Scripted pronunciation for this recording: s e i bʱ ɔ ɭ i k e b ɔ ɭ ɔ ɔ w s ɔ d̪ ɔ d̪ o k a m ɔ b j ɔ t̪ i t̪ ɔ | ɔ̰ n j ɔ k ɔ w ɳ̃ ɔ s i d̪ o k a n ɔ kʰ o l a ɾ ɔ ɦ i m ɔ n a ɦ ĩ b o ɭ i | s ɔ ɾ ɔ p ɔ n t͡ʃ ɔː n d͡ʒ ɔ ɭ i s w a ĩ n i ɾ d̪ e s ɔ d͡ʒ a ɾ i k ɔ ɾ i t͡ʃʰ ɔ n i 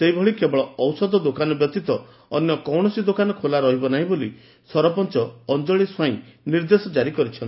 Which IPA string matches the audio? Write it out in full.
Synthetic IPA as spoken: s e i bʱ ɔ ɭ i k e b ɔ ɭ ɔ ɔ w s ɔ d̪ ɔ d̪ o k a n ɔ b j ɔ t̪ i t̪ ɔ | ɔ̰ n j ɔ k ɔ w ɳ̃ ɔ s i d̪ o k a n ɔ kʰ o l a ɾ ɔ ɦ i b ɔ n a ɦ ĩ b o l i | s ɔ ɾ ɔ p ɔ n t͡ʃ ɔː n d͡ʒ ɔ ɭ i s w a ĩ n i ɾ d̪ e s ɔ d͡ʒ a ɾ i k ɔ ɾ i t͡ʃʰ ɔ n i

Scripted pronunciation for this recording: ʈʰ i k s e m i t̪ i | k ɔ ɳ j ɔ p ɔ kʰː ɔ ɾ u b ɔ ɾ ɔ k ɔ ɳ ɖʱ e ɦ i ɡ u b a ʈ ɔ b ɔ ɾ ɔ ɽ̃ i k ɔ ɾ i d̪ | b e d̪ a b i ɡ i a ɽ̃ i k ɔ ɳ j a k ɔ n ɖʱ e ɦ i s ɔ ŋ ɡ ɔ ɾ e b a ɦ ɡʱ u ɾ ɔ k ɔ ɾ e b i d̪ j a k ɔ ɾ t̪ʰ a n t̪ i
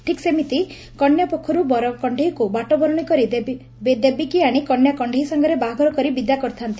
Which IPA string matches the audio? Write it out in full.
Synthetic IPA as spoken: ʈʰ i k s e m i t̪ i | k ɔ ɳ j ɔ p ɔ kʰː ɔ ɾ u b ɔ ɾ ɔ k ɔ ɳ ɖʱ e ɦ i k u b a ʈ ɔ b ɔ ɾ ɔ ɽ̃ i k ɔ ɾ i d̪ | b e d̪ e b i k i a ɽ̃ i k ɔ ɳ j a k ɔ ɳ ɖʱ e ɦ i s ɔ ŋ ɡ ɔ ɾ e b a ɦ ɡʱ ɔ ɾ ɔ k ɔ ɾ i b i d̪ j a k ɔ ɾ t̪ʰ a n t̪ i

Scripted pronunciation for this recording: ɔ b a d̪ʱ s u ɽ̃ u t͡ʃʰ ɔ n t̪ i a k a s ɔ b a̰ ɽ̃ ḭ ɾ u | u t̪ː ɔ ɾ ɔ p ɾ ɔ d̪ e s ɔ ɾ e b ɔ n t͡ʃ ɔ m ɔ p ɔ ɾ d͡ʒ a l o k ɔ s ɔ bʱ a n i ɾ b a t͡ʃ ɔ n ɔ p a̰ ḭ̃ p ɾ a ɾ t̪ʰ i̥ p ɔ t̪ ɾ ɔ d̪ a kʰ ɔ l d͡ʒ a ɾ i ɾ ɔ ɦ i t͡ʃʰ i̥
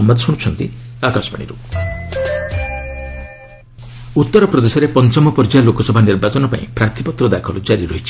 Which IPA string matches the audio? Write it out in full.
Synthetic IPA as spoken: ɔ m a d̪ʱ s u ɽ̃ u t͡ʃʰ ɔ n t̪ i a k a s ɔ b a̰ ɽ̃ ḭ ɾ u | u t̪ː ɔ ɾ ɔ p ɾ ɔ d̪ e s ɔ ɾ e p ɔ n t͡ʃ ɔ m ɔ p ɔ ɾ d͡ʒ a l o k ɔ s ɔ bʱ a n i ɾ b a t͡ʃ ɔ n ɔ p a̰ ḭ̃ p ɾ a ɾ t̪ʰ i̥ p ɔ t̪ ɾ ɔ d̪ a kʰ ɔ l d͡ʒ a ɾ i ɾ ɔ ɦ i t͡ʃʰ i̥

